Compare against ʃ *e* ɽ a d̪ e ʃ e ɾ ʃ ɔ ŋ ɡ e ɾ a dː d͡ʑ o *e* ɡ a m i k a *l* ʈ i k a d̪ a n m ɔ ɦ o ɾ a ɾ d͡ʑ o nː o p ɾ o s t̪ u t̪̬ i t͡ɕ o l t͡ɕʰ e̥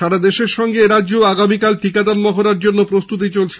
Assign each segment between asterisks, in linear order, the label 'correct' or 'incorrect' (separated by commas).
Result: incorrect, incorrect, correct